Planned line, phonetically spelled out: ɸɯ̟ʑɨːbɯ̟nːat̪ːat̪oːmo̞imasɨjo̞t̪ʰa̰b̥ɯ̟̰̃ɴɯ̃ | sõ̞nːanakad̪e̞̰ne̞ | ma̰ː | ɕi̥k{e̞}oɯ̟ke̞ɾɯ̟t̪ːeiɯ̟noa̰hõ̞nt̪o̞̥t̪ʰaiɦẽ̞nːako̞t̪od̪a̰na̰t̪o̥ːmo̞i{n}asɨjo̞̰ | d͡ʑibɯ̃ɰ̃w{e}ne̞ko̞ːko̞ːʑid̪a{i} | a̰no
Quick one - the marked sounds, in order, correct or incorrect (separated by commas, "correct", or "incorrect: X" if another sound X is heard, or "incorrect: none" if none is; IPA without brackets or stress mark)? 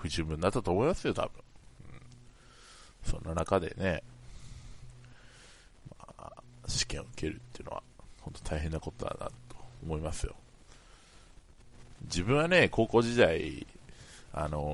incorrect: ẽ̞, incorrect: m, incorrect: a, correct